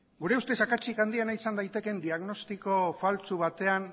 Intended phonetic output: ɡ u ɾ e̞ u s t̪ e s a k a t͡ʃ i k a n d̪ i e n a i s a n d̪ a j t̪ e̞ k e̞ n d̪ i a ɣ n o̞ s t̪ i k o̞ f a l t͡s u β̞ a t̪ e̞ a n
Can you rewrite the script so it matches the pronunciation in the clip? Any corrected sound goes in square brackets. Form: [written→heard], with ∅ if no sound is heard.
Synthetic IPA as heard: ɡ u ɾ e̞ u s t̪ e s a k a t͡ʃ i k a n d̪ i e n a i s a n d̪ a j t̪ e̞ k e̞ n d̪ i a ɣ n o̞ s t̪ i k o̞ f a l t͡s u β̞ a t̪ e̞ a n